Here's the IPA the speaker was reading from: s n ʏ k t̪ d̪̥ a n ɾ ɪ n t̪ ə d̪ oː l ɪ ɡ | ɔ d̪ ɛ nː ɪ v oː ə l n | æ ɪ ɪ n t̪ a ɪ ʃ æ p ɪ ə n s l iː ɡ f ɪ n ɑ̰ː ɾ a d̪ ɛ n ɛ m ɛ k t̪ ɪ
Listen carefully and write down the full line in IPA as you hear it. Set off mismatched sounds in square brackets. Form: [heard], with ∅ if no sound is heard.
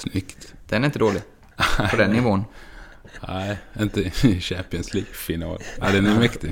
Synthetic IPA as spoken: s n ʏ k t̪ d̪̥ [ɛ] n ɾ ɪ n t̪ ə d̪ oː l ɪ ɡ | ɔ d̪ ɛ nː ɪ v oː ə [∅] n | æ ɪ ɪ n t̪ [ə] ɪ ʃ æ p ɪ ə n s l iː ɡ f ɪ n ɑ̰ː [l] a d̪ ɛ n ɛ m ɛ k t̪ ɪ